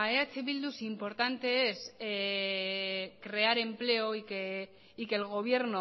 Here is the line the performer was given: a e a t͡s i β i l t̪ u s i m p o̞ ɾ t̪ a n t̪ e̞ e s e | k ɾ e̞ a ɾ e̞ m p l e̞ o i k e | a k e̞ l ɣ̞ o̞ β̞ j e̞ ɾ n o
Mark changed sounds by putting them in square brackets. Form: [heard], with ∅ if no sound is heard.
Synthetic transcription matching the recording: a e a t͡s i β i l [d̪] u s i m p o̞ ɾ t̪ a n t̪ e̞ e s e | k ɾ e̞ a ɾ e̞ m p l e̞ o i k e | [i] k e̞ l ɣ̞ o̞ β̞ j e̞ ɾ n o